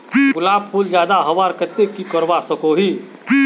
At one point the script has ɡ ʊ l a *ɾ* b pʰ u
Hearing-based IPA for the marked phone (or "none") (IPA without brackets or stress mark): none